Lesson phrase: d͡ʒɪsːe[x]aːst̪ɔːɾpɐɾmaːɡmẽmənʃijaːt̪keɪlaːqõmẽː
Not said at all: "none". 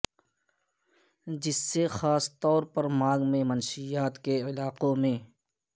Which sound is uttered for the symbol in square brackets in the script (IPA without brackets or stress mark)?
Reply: x